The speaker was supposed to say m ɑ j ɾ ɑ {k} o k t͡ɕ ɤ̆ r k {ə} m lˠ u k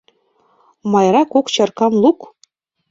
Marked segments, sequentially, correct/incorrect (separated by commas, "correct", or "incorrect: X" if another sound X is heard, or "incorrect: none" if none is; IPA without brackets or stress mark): correct, incorrect: ɑ